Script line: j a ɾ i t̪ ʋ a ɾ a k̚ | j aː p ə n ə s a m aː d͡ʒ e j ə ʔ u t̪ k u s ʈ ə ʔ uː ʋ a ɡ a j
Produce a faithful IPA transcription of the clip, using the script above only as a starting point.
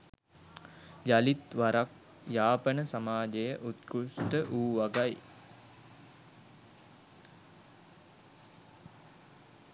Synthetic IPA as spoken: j a l i t̪ ʋ a ɾ a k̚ | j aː p ə n ə s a m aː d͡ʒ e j ə ʔ u t̪ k u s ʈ ə ʔ uː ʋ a ɡ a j